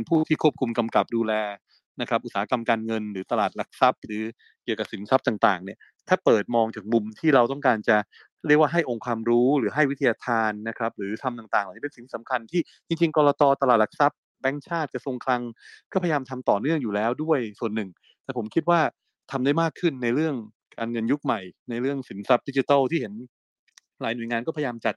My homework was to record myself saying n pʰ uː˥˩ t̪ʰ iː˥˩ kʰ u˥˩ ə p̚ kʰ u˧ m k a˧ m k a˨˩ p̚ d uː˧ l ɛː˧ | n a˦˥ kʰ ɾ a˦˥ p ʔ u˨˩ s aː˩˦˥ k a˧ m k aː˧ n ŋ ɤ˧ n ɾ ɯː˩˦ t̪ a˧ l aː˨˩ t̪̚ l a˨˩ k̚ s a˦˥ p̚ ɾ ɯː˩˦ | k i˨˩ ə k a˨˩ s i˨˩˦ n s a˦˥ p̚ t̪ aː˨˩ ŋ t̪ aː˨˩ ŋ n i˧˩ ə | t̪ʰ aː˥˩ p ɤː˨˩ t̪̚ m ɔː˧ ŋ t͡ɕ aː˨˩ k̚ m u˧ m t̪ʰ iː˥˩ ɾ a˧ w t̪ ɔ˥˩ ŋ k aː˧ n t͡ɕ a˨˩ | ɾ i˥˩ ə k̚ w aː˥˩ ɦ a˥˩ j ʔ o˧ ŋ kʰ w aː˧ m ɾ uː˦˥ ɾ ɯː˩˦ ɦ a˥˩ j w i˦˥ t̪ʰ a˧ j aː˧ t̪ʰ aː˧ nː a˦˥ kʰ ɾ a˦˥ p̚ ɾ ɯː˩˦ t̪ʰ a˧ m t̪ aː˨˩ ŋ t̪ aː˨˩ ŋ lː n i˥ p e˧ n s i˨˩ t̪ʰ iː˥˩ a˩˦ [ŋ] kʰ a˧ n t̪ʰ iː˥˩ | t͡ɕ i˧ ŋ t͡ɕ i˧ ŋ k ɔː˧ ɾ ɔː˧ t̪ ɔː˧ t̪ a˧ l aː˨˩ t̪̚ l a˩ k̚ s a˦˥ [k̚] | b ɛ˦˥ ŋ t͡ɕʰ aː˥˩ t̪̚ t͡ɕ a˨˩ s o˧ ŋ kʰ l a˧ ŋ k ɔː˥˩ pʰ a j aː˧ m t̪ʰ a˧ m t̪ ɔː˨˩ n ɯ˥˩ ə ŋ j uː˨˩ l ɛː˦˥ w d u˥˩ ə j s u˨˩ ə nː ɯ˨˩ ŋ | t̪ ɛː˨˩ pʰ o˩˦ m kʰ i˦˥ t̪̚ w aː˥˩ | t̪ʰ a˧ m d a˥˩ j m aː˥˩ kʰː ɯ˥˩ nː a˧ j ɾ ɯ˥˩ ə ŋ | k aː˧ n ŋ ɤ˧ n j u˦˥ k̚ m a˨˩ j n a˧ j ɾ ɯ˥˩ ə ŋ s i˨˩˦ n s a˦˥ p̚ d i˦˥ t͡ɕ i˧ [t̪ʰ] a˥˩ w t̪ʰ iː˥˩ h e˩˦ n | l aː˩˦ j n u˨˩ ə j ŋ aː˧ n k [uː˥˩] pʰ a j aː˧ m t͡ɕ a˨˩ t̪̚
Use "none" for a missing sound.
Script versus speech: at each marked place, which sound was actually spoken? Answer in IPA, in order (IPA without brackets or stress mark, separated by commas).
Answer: m, p̚, t̪, ɔː˥˩